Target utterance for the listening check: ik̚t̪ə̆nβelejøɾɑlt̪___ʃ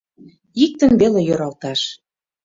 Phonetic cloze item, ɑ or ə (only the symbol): ɑ